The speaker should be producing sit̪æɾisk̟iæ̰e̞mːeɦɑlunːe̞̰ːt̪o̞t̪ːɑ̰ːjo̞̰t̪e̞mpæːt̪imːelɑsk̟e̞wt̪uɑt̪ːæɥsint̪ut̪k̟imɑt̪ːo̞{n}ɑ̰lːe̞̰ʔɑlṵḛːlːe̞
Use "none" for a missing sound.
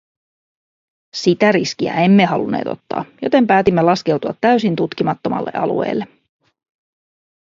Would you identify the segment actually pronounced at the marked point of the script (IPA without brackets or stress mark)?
m